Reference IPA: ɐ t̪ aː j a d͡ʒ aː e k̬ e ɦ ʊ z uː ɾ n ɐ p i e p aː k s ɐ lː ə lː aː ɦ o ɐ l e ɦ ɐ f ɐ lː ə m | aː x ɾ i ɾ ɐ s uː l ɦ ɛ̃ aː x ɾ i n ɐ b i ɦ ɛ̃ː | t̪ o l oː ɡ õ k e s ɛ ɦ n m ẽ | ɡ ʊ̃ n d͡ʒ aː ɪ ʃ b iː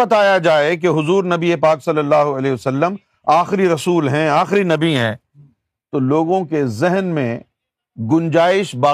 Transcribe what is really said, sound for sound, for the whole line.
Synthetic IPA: ɐ t̪ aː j a d͡ʒ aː e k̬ e ɦ ʊ z uː ɾ n ɐ b i e p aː k s ɐ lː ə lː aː ɦ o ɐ l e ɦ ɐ s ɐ lː ə m | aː x ɾ i ɾ ɐ s uː l ɦ ɛ̃ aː x ɾ i n ɐ b i ɦ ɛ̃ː | t̪ o l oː ɡ õ k e z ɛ ɦ n m ẽ | ɡ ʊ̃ n d͡ʒ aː ɪ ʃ b aː